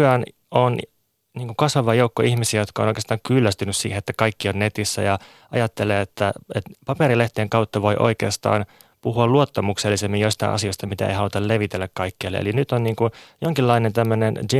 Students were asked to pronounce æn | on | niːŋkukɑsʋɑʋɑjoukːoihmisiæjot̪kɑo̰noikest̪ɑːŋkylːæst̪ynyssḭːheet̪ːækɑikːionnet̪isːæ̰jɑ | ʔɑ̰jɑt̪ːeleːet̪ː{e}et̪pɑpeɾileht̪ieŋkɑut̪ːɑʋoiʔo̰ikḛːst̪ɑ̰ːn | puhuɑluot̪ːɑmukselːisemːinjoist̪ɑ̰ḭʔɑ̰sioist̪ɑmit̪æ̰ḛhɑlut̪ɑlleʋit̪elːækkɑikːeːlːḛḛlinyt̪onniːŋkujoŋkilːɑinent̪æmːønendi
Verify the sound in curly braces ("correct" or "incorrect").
incorrect